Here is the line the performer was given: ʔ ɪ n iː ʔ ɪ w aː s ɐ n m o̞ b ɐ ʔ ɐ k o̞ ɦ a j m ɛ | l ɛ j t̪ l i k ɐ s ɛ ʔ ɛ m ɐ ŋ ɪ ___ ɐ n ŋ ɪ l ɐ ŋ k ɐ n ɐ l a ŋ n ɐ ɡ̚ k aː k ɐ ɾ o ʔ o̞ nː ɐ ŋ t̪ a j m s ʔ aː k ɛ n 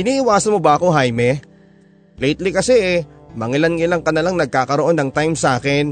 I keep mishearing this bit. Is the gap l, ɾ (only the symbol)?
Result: l